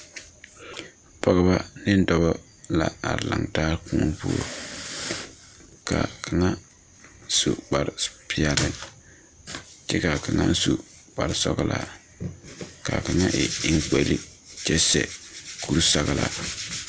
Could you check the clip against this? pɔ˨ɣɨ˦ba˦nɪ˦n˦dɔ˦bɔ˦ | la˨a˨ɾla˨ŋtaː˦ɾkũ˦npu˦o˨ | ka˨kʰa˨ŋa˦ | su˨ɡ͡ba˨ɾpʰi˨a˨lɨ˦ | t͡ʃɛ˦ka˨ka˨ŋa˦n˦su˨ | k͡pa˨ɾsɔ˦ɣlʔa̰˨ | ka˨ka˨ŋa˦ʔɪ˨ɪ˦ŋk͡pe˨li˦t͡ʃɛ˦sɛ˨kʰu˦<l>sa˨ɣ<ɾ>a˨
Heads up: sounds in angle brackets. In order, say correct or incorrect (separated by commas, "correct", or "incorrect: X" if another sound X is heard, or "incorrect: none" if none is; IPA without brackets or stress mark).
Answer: incorrect: ɾ, incorrect: l